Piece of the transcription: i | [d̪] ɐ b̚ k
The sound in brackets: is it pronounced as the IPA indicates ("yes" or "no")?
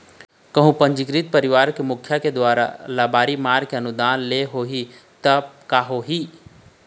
no